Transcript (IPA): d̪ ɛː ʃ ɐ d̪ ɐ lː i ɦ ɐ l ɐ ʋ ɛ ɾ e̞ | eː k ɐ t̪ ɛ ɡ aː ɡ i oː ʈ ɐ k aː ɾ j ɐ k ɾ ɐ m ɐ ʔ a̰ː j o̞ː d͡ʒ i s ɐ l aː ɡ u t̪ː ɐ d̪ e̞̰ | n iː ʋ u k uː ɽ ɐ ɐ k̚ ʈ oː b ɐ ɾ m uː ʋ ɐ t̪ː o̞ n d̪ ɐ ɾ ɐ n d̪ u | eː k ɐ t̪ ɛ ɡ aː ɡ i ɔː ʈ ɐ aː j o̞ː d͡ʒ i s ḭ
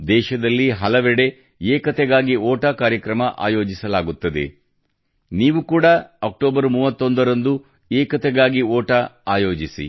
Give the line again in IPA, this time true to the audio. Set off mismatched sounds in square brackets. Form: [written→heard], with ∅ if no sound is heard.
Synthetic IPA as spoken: d̪ ɛː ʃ ɐ d̪ ɐ lː i ɦ ɐ l ɐ ʋ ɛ [ɾ→ɽ] e̞ | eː k ɐ t̪ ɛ ɡ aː ɡ i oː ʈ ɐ k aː ɾ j ɐ k ɾ ɐ m ɐ ʔ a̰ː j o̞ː d͡ʒ i s ɐ l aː ɡ u t̪ː ɐ d̪ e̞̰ | n iː ʋ u k uː ɽ ɐ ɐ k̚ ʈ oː b ɐ ɾ m uː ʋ ɐ t̪ː o̞ n d̪ ɐ ɾ ɐ n d̪ u | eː k ɐ t̪ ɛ ɡ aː ɡ i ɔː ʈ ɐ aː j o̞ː d͡ʒ i s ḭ